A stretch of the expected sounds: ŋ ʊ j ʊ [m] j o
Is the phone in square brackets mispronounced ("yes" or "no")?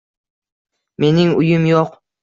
no